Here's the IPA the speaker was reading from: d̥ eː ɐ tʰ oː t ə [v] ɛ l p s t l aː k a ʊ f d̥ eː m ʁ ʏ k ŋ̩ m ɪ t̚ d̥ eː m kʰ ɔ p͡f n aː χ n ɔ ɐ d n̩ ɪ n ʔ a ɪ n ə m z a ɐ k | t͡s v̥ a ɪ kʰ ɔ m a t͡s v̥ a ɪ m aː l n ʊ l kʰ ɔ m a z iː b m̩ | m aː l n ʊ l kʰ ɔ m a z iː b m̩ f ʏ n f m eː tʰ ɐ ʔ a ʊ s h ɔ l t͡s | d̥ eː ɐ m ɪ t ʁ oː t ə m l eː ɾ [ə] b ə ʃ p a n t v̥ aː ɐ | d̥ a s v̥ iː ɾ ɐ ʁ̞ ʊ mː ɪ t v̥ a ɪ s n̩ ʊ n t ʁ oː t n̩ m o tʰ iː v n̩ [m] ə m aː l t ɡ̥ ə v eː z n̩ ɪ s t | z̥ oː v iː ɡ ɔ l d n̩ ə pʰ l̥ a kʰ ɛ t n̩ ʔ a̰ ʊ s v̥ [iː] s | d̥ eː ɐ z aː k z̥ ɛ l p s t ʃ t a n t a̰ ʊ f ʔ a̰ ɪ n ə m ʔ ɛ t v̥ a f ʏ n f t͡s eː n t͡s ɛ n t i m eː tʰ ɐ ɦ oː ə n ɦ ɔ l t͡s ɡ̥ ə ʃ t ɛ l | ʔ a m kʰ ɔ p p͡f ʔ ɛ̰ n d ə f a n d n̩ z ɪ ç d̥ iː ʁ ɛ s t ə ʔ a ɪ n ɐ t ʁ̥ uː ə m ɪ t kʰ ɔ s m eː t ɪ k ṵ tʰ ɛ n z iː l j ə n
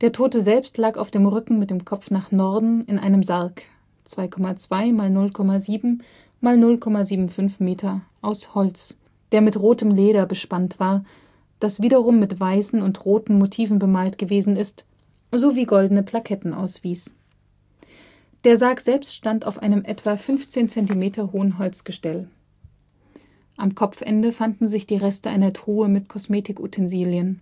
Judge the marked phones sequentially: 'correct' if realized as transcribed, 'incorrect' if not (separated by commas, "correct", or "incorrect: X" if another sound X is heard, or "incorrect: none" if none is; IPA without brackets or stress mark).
incorrect: z, incorrect: ɐ, incorrect: b, correct